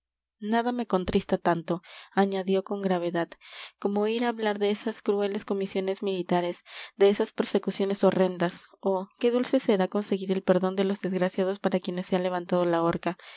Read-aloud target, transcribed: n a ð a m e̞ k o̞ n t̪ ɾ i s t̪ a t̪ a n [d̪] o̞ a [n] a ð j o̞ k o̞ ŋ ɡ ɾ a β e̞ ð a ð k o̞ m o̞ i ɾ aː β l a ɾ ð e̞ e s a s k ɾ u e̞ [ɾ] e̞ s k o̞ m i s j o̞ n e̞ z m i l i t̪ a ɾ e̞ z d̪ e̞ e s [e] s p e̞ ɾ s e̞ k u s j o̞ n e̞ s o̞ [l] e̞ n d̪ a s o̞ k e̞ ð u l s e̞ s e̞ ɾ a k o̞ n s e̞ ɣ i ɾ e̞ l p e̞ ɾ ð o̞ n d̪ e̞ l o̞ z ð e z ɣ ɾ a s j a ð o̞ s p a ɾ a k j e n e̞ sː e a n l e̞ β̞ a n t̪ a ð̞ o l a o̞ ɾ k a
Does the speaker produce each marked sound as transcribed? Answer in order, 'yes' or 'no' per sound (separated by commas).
no, no, no, no, no